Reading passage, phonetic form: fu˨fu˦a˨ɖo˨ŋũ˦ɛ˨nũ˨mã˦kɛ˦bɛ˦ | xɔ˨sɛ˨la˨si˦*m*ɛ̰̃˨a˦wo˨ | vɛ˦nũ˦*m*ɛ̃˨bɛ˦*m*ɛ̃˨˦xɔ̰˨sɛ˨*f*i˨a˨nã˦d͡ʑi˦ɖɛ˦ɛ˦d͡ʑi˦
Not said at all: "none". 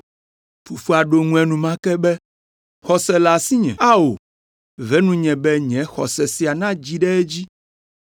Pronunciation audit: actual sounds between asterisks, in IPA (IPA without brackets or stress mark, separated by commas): ɲ, ɲ, ɲ, s